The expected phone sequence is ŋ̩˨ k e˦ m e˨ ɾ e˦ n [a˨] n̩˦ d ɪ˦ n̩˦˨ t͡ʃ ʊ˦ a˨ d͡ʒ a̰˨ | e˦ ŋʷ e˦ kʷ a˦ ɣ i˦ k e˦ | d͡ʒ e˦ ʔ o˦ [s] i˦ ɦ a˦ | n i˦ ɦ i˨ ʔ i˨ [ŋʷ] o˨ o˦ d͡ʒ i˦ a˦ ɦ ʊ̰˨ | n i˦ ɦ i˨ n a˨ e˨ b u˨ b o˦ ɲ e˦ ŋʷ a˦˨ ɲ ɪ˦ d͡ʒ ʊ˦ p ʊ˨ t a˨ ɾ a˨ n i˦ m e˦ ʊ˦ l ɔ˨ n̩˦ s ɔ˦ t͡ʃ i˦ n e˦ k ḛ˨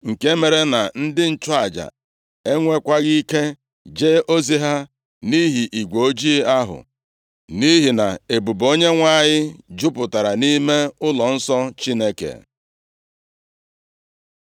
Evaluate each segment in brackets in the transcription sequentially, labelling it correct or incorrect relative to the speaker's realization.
correct, incorrect: z, incorrect: ɡʷ

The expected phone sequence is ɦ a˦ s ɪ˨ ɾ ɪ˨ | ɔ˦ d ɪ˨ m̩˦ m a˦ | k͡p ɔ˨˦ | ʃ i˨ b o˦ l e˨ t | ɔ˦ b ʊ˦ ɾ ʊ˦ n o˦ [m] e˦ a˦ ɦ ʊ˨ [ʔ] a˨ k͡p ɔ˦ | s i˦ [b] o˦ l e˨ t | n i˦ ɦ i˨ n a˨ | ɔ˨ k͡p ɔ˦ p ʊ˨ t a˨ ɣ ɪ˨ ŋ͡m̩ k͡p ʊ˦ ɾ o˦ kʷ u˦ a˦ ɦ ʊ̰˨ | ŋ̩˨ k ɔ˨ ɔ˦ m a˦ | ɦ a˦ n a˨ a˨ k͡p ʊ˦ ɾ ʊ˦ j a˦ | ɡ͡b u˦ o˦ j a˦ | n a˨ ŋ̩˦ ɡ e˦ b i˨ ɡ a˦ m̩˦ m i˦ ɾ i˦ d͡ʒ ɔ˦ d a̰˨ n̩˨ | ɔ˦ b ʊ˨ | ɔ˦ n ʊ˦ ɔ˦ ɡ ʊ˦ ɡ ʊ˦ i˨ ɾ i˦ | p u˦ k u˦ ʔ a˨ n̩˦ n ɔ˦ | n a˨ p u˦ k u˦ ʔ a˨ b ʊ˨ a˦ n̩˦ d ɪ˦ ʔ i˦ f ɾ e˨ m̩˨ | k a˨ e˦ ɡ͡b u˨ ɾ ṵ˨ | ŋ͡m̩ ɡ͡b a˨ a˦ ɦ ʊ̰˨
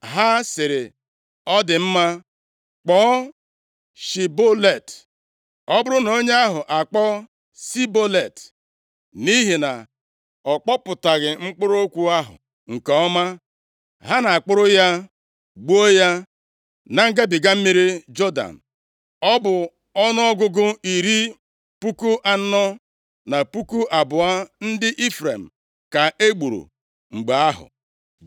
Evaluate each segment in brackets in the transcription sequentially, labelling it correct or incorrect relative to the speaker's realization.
incorrect: ɲ, correct, correct

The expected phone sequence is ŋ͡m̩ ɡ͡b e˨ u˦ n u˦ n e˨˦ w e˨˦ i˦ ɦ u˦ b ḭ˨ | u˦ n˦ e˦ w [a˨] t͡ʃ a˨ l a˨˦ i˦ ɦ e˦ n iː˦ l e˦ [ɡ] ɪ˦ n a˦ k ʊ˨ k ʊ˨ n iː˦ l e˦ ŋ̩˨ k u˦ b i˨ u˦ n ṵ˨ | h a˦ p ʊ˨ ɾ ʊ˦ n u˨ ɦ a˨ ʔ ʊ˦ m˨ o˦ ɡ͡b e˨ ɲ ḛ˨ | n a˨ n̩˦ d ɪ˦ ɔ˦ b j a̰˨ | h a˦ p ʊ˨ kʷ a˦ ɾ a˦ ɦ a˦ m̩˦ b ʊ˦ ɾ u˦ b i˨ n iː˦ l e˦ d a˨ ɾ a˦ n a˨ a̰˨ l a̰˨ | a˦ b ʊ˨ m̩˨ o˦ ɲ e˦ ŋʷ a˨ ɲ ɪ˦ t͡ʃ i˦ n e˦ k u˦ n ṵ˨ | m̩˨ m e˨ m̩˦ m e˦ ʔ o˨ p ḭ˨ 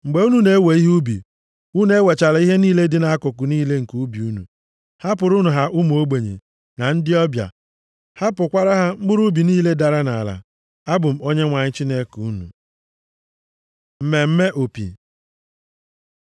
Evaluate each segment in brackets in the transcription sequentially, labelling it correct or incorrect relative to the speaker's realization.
incorrect: e˨, incorrect: d

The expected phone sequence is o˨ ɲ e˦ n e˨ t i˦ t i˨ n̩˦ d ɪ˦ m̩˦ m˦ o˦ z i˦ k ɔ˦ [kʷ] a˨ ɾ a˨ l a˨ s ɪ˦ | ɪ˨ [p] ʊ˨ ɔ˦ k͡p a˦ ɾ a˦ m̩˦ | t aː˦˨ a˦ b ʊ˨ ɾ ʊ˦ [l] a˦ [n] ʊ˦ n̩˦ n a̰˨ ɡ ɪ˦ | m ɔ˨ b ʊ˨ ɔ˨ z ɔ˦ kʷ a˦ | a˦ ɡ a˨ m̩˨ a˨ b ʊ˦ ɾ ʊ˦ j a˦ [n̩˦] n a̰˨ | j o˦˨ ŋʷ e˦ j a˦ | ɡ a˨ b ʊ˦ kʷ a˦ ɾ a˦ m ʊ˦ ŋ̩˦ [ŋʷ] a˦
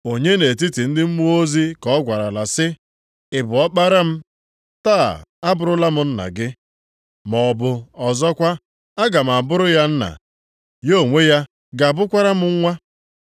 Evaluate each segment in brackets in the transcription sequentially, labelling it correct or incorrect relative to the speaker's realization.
incorrect: ɡʷ, incorrect: b, correct, incorrect: m, correct, correct

